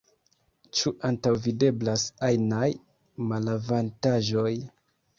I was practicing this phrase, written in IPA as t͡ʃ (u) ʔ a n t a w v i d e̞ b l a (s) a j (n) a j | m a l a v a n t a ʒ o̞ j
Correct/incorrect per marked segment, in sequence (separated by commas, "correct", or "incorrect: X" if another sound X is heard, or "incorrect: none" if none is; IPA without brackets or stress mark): correct, correct, correct